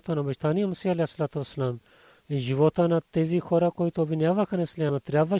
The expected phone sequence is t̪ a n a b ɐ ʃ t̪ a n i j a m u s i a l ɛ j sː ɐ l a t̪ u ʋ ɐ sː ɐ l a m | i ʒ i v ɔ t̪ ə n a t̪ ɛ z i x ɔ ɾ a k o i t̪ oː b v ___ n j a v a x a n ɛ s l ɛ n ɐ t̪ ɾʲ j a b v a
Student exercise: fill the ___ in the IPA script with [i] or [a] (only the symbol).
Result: i